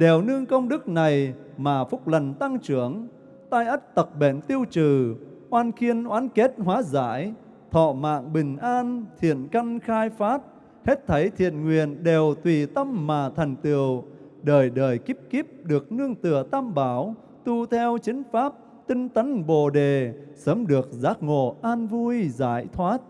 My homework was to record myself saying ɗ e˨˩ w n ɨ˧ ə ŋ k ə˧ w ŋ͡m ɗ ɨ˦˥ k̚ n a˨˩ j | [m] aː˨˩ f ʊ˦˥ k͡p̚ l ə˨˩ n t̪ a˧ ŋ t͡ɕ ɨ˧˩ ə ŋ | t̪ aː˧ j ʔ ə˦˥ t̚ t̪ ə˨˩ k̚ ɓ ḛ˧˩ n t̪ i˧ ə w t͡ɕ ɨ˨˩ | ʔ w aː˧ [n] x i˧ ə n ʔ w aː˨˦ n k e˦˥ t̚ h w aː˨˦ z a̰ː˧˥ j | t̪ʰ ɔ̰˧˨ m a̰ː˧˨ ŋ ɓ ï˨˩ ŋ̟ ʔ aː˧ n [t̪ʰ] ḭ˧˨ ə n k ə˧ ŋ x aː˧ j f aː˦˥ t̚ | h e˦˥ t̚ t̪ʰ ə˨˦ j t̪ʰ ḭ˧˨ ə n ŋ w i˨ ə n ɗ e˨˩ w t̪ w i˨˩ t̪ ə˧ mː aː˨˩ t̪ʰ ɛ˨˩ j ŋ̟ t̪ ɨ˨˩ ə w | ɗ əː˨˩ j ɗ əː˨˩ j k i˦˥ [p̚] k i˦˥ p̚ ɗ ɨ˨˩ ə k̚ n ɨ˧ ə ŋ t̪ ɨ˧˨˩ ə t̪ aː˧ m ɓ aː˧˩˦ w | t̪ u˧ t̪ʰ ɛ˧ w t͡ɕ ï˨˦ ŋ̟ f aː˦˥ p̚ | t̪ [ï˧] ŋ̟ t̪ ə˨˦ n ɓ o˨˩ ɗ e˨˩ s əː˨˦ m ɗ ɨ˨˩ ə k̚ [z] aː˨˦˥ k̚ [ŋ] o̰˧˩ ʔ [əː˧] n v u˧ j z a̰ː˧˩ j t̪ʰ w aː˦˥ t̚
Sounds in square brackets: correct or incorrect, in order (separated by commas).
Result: correct, correct, correct, correct, correct, correct, correct, incorrect